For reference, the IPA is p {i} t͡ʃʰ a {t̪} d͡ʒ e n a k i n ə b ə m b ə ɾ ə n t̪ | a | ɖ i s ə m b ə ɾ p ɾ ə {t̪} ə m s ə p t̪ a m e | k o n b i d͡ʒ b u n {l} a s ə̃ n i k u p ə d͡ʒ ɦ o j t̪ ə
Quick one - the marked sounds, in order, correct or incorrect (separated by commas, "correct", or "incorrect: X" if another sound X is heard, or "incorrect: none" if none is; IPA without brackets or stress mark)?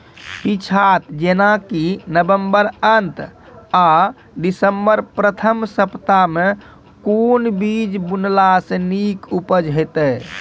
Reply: correct, correct, incorrect: t̪ʰ, correct